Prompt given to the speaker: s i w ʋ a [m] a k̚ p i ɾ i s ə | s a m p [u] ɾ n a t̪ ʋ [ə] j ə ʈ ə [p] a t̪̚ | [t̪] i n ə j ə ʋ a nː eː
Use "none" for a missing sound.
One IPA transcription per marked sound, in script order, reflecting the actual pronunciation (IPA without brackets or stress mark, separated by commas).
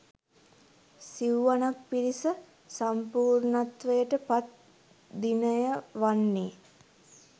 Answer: n, uː, ə, p, d̪